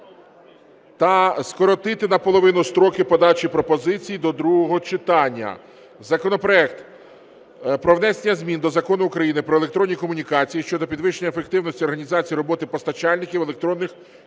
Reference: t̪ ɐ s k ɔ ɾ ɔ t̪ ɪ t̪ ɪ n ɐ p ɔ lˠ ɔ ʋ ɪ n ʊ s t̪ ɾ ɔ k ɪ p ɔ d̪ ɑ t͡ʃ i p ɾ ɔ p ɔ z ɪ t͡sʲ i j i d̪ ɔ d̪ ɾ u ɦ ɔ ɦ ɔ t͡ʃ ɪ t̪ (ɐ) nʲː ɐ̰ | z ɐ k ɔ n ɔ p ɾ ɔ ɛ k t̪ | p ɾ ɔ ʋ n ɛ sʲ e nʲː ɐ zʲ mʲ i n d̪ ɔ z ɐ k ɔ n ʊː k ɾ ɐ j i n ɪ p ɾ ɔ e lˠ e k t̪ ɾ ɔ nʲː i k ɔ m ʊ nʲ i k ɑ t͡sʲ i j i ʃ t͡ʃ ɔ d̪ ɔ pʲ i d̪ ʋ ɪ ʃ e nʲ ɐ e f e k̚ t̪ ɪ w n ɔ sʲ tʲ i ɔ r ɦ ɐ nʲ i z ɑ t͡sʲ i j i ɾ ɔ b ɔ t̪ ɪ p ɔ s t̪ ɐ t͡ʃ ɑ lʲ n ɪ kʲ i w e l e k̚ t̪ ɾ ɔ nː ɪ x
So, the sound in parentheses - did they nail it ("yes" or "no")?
no